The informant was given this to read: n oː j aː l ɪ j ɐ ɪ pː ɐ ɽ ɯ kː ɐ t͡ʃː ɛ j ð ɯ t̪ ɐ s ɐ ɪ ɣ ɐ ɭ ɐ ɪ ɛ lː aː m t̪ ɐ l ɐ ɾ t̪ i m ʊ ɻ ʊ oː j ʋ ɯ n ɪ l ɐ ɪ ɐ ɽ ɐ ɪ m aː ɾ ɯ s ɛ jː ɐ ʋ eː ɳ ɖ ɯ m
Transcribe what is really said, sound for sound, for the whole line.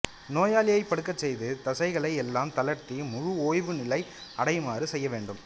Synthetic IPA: n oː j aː l ɪ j ɐ ɪ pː ɐ ɽ ɯ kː ɐ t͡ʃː ɛ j ð ɯ t̪ ɐ s ɐ ɪ ɣ ɐ ɭ ɐ ɪ ɛ lː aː m t̪ ɐ l ɐ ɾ t̪ i m ʊ ɻ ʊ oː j ʋ ɯ n ɪ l ɐ ɪ ɐ ɽ ɐ ɪ m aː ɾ ɯ s ɛ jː ɐ ʋ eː ɳ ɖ ɯ m